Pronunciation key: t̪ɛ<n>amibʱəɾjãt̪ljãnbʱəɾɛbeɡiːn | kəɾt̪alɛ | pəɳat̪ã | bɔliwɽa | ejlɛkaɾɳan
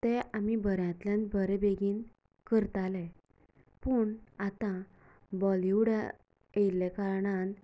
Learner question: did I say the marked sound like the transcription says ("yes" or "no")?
no